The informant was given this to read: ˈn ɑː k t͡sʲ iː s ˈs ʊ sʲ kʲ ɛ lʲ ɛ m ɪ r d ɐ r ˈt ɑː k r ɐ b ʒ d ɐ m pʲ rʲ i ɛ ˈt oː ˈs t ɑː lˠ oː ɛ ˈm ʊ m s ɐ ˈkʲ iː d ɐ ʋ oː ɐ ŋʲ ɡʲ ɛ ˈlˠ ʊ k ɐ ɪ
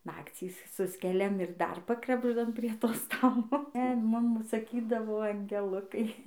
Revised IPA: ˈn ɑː k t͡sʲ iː s ˈs ʊ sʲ kʲ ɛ lʲ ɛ m ɪ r d ɐ r ˈp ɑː k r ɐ b ʒ d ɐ m pʲ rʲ i ɛ ˈt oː ˈs t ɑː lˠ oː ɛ ˈm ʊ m s ɐ ˈkʲ iː d ɐ ʋ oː ɐ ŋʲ ɡʲ ɛ ˈlˠ ʊ k ɐ ɪ